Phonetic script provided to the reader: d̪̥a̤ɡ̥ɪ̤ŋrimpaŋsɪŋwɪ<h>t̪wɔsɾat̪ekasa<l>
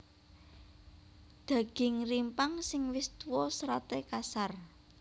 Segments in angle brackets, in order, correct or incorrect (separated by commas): incorrect, incorrect